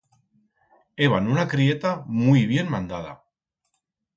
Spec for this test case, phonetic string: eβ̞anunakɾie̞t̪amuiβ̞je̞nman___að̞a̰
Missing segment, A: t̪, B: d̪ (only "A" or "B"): B